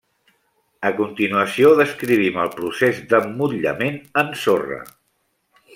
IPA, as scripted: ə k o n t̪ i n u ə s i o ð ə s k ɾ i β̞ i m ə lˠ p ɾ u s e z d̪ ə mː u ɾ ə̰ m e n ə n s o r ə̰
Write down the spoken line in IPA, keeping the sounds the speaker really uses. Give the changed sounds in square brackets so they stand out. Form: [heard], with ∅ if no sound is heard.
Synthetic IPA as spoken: ə k [u] n t̪ i n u ə s i o ð ə s k ɾ i β̞ i m ə lˠ p ɾ u s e z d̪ ə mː u [ʎ] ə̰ m e n ə n s o r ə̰